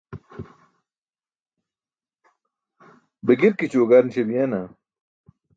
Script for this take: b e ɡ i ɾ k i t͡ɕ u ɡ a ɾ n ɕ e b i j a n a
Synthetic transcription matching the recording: b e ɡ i ɾ k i t͡ɕ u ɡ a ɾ n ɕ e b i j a n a